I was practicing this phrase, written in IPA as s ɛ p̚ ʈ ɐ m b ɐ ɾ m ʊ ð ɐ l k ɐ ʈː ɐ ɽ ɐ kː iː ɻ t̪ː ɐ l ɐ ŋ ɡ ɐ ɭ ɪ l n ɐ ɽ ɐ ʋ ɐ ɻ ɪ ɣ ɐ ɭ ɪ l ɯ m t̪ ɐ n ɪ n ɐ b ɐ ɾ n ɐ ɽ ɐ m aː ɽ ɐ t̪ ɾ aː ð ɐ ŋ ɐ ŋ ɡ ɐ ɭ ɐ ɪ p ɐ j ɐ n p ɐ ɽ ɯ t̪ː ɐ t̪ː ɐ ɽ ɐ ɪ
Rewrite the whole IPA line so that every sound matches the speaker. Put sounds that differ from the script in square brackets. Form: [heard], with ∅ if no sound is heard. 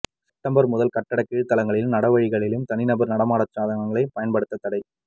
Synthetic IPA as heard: s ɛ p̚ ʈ ɐ m b ɐ ɾ m ʊ ð ɐ l k ɐ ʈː ɐ ɽ ɐ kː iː ɻ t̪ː ɐ l ɐ ŋ ɡ ɐ ɭ ɪ l n ɐ ɽ ɐ ʋ ɐ ɻ ɪ ɣ ɐ ɭ ɪ l ɯ m t̪ ɐ n ɪ n ɐ b ɐ ɾ n ɐ ɽ ɐ m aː ɽ ɐ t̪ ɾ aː ð ɐ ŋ ɐ ŋ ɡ ɐ ɭ ɐ ɪ p ɐ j ɐ n p ɐ ɽ ɯ t̪ː ɐ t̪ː ɐ ɽ ɐ ɪ